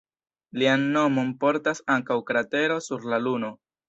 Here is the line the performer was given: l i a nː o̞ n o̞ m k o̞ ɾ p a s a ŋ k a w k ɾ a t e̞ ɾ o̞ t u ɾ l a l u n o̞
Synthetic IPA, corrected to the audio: l i a nː o̞ m o̞ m p o̞ ɾ t a s a ŋ k a w k ɾ a t e̞ ɾ o̞ s u ɾ l a l u n o̞